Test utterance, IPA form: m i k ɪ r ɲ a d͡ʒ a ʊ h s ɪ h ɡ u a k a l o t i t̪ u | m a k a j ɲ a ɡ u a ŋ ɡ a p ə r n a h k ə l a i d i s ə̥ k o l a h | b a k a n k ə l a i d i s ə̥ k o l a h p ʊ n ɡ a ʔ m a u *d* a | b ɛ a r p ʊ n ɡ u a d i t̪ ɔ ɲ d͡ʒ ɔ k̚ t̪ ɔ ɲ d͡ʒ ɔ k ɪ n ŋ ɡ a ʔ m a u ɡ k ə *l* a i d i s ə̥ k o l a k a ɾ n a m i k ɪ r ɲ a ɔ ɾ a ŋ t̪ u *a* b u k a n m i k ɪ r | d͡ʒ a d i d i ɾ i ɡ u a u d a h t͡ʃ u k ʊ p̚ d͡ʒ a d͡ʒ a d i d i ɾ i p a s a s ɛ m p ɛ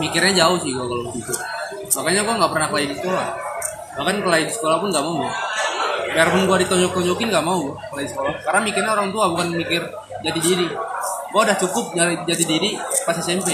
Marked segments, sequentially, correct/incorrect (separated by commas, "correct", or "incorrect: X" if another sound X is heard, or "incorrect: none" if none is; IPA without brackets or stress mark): incorrect: ɡ, correct, correct